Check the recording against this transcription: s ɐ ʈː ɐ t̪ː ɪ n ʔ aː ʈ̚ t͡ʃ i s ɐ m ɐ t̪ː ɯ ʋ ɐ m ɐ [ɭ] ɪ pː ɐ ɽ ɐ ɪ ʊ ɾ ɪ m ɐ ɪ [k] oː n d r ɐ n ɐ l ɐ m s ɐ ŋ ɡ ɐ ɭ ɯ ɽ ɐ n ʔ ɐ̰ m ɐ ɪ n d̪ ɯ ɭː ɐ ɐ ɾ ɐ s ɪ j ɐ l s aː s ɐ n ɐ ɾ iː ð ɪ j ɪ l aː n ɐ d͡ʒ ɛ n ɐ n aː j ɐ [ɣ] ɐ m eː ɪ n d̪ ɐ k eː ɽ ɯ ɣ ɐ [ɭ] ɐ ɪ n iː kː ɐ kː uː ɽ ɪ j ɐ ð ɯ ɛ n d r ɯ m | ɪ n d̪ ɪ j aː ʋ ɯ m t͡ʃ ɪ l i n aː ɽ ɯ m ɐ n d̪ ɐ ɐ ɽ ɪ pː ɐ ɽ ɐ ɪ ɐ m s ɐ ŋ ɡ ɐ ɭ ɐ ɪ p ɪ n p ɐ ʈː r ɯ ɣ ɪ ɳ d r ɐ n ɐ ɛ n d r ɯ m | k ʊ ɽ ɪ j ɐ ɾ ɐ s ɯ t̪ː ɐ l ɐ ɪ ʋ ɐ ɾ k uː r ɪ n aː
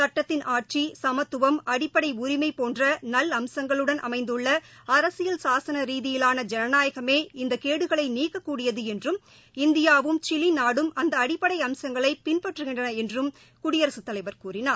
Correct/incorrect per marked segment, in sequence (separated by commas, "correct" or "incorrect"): incorrect, incorrect, correct, correct